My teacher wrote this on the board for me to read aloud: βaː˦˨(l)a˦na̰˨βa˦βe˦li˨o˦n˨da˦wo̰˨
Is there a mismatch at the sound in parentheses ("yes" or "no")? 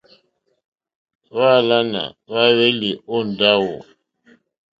no